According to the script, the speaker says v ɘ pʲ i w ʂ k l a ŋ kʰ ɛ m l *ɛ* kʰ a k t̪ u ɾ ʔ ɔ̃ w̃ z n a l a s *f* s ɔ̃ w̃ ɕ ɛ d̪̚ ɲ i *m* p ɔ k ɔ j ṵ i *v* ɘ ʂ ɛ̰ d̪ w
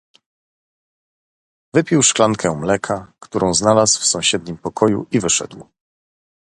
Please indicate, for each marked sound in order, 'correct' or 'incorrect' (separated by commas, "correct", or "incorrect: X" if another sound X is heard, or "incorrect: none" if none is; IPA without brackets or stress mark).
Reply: correct, correct, correct, correct